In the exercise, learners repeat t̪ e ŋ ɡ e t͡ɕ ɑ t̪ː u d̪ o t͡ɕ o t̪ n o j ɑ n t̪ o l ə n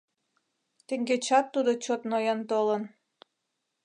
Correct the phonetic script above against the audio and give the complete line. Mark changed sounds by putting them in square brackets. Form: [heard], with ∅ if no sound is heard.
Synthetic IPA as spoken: t̪ e ŋ ɡ e t͡ɕ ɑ t̪ː u d̪ o t͡ɕ o t̪ n o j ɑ n t̪ o l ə n

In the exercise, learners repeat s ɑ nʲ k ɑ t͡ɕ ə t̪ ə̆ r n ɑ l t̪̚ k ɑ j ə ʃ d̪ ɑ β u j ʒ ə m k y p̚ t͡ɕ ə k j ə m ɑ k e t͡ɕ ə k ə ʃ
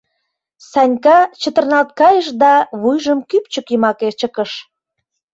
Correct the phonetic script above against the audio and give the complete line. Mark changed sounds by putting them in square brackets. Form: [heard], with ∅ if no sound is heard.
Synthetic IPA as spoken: s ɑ nʲ k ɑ t͡ɕ ə t̪ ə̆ r n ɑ l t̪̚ k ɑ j ə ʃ d̪ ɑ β u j ʒ ə m k y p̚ t͡ɕ ə k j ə m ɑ k e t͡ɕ ə k ə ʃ

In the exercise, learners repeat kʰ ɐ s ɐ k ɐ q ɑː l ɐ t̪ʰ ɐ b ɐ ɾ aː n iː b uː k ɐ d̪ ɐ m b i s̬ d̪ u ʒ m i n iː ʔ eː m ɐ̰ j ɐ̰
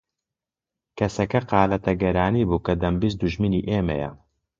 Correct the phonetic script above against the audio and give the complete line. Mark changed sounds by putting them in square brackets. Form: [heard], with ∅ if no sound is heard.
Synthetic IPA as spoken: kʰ ɐ s ɐ k ɐ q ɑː l ɐ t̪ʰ ɐ [ɡ] ɐ ɾ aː n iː b uː k ɐ d̪ ɐ m b i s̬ d̪ u ʒ m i n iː ʔ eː m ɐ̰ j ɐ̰

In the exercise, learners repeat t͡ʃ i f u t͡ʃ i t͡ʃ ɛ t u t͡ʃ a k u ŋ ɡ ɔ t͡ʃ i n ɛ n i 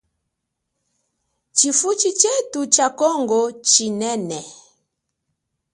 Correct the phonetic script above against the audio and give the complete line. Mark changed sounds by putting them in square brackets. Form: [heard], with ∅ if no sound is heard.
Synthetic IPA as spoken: t͡ʃ i f u t͡ʃ i t͡ʃ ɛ t u t͡ʃ a k [ɔ] ŋ ɡ ɔ t͡ʃ i n ɛ n [ɛ]

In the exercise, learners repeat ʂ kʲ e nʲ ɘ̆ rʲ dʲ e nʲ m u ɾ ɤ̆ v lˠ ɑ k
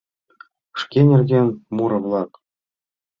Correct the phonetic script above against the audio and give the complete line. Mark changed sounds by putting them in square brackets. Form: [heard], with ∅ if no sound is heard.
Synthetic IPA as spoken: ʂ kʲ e nʲ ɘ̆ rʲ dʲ e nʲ m u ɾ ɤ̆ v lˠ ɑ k

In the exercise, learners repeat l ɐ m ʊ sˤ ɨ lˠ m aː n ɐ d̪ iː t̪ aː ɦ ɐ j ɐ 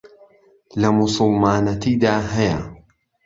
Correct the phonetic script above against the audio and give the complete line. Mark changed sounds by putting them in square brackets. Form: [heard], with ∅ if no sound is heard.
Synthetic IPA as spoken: l ɐ m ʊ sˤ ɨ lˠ m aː n ɐ [t̪] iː [d̪] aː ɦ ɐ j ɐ

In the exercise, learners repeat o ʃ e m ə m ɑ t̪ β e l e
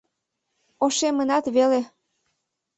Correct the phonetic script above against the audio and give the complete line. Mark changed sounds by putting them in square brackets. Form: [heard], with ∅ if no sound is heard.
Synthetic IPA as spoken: o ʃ e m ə [n] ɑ t̪ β e l e

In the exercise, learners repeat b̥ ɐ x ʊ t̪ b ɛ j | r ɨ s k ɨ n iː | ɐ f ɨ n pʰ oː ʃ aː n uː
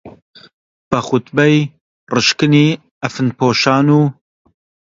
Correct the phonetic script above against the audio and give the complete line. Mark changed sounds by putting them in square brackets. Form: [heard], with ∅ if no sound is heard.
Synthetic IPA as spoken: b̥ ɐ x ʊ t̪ b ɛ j | r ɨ [ʃ] k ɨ n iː | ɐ f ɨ n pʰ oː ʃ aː n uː

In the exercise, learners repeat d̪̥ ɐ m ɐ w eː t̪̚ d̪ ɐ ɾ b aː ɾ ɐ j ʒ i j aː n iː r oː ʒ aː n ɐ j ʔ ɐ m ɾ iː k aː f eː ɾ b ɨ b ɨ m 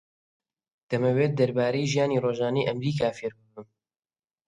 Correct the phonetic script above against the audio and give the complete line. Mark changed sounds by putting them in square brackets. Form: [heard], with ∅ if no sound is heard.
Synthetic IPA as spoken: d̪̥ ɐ m ɐ w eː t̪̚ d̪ ɐ ɾ b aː ɾ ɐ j ʒ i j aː n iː r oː ʒ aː n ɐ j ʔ ɐ m ɾ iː k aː f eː ɾ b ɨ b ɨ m

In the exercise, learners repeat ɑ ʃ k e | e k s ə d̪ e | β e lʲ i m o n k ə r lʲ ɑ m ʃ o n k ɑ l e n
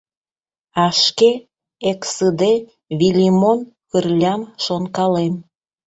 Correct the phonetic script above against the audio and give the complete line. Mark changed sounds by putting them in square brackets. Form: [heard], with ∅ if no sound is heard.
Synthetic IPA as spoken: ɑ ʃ k e | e k s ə d̪ e | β [i] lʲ i m o n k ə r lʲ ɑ m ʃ o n k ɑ l e [m]

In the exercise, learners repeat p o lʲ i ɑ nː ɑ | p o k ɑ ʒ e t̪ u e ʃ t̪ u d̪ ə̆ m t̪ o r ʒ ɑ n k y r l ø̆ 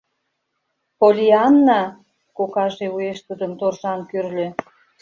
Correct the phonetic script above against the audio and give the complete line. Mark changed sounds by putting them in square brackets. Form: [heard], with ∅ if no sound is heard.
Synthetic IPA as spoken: p o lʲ i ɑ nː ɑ | [k] o k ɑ ʒ e [∅] u e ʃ t̪ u d̪ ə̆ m t̪ o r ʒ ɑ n k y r l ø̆

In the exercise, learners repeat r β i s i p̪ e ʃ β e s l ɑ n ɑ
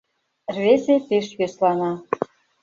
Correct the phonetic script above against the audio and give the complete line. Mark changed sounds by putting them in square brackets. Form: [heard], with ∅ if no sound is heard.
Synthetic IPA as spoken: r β [e] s [e] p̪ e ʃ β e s l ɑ n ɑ

